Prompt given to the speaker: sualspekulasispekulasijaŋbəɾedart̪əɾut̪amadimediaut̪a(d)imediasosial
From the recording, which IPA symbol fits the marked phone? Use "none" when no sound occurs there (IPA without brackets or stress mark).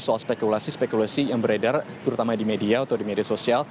d